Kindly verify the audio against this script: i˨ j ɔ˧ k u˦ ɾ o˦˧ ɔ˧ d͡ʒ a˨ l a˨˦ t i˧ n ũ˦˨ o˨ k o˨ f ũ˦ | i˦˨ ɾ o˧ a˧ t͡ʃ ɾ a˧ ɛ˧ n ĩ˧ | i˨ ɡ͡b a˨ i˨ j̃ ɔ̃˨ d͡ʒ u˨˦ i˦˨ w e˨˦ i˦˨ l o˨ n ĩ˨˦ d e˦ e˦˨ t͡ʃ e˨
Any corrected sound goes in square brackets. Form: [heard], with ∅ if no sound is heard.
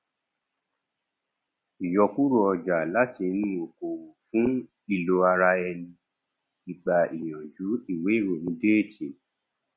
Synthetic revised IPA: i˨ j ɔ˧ k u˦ ɾ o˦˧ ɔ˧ d͡ʒ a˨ l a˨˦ t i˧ n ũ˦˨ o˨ k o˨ f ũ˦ | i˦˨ [l] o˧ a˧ [∅] ɾ a˧ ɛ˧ n ĩ˧ | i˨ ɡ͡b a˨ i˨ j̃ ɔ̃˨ d͡ʒ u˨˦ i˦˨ w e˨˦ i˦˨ [ɾ] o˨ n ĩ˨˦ d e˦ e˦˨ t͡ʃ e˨